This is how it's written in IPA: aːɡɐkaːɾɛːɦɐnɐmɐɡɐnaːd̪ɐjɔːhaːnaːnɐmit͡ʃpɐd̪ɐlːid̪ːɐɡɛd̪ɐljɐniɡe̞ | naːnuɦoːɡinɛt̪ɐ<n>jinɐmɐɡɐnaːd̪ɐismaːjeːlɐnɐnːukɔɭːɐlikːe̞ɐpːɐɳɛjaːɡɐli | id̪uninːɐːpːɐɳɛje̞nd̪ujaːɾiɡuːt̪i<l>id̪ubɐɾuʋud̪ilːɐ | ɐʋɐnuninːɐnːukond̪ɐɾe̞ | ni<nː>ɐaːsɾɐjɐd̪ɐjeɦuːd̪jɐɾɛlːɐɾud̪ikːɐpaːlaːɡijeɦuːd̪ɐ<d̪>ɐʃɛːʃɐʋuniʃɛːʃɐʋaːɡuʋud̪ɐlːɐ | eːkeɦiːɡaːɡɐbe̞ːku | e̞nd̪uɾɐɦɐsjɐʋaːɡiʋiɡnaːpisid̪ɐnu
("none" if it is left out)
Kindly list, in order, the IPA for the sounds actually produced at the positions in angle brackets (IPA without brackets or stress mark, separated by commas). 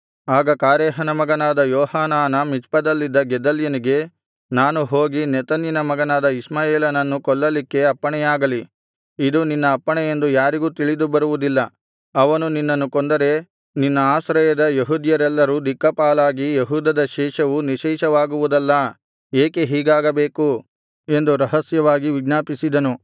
n, ɭ, nː, d̪